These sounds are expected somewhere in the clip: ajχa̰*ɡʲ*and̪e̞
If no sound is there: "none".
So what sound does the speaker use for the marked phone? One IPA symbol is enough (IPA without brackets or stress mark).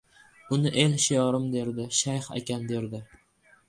kʲ